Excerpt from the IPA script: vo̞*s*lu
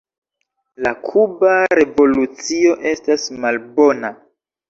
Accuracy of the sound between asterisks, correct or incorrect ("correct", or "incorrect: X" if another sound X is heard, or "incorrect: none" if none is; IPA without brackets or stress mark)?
incorrect: none